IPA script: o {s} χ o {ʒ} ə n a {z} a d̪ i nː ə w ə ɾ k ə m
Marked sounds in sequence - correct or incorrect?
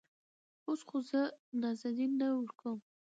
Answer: correct, incorrect: z, correct

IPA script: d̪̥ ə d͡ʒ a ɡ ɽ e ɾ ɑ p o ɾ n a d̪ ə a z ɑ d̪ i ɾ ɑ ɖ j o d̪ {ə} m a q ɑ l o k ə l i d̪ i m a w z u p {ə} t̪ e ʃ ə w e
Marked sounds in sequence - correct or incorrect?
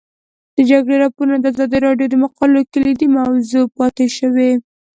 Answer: correct, incorrect: ɑ

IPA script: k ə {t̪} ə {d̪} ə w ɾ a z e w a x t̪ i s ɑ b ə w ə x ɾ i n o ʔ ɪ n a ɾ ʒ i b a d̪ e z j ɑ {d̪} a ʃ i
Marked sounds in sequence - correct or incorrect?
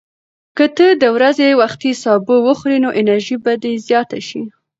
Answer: correct, correct, incorrect: t̪

